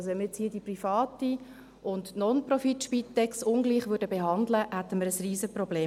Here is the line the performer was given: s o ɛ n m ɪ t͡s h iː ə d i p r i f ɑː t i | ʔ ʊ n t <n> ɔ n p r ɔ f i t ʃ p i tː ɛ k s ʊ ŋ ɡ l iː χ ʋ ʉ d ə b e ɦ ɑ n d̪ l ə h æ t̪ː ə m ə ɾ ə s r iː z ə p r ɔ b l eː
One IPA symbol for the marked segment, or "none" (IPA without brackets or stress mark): n